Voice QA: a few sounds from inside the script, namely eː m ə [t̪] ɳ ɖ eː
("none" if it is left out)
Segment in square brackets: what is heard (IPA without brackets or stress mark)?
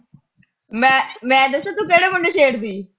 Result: none